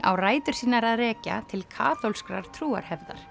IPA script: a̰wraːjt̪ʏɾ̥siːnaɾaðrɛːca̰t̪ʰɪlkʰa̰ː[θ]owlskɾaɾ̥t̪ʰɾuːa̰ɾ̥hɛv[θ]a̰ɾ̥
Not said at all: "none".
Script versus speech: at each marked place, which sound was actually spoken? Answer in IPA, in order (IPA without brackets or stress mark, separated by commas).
θ, ð